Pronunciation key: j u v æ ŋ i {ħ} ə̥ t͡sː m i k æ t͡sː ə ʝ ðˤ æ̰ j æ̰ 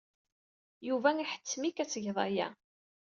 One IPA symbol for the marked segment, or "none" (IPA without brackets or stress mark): ħ